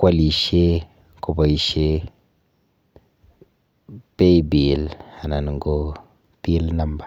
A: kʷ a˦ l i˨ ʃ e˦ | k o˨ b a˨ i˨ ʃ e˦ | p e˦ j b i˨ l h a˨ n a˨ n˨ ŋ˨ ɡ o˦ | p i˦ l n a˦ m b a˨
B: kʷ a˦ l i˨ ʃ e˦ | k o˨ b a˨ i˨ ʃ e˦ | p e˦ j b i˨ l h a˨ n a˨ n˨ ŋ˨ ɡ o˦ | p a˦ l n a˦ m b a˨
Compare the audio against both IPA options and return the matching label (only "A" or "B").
A